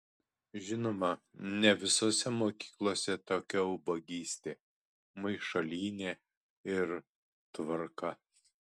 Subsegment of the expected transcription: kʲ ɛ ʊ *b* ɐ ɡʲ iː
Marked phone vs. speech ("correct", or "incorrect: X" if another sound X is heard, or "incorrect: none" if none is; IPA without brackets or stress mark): correct